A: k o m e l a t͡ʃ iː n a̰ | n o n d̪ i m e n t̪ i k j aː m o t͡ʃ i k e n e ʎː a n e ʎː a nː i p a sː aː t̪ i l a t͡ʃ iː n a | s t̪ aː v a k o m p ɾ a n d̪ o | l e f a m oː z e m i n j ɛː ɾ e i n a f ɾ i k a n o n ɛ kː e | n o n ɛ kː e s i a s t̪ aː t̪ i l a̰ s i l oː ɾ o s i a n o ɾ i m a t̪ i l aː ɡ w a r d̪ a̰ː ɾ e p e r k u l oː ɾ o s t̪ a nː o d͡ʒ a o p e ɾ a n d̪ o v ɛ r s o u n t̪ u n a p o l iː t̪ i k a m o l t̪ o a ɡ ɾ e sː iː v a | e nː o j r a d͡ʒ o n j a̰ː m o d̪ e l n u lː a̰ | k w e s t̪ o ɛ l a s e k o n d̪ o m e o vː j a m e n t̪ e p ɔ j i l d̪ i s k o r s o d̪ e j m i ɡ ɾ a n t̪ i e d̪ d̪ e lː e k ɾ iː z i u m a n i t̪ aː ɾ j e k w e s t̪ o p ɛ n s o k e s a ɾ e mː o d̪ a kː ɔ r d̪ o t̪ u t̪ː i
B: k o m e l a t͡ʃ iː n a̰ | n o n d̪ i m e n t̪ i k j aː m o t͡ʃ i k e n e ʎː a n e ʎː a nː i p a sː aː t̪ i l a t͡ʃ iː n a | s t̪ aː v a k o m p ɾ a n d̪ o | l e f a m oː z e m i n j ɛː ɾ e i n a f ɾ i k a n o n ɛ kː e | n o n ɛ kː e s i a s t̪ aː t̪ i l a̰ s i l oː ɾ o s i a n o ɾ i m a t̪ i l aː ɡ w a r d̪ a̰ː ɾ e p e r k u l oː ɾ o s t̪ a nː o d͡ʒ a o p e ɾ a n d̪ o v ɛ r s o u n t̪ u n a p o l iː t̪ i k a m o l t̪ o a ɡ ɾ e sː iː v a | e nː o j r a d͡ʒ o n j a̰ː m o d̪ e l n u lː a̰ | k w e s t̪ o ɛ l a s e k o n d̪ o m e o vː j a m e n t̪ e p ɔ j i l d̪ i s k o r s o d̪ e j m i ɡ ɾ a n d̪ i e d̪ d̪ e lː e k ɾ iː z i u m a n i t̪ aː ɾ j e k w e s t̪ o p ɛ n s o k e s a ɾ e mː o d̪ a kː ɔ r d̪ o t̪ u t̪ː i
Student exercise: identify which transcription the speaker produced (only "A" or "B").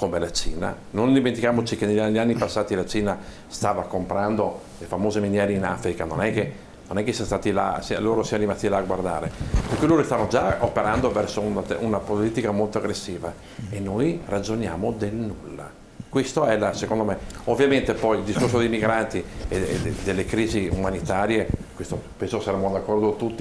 A